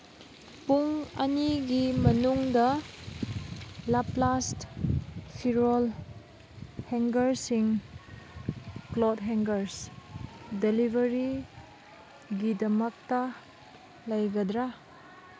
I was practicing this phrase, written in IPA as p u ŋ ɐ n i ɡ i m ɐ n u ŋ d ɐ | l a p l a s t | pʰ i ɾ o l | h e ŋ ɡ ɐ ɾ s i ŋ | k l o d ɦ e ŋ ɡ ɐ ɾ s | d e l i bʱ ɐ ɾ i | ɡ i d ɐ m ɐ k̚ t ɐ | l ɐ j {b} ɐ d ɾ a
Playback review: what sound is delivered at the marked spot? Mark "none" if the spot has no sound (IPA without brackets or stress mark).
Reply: ɡ